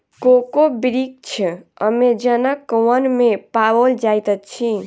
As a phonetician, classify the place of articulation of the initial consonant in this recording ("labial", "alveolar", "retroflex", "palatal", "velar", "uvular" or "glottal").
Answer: velar